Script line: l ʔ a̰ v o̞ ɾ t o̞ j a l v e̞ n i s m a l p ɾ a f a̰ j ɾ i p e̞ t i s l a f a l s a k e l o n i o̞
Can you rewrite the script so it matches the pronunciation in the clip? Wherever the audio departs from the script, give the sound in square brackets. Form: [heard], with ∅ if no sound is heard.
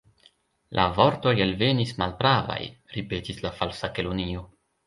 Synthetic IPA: l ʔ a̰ v o̞ ɾ t o̞ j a l v e̞ n i s m a l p ɾ a [v] a̰ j ɾ i p e̞ t i s l a f a l s a k e l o n i o̞